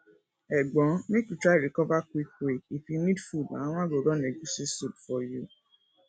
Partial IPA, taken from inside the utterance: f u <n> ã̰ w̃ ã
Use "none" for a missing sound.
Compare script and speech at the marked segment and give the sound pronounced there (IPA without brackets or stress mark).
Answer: d